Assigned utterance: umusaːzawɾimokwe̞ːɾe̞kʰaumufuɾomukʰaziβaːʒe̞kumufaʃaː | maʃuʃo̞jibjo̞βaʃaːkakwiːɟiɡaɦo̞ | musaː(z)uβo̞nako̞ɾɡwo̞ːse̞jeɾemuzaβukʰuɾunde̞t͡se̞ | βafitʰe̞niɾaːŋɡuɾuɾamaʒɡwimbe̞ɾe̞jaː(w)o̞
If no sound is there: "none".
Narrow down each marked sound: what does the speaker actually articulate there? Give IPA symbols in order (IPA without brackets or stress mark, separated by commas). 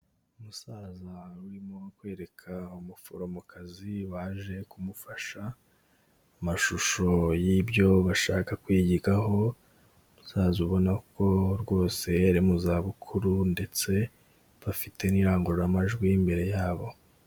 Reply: z, β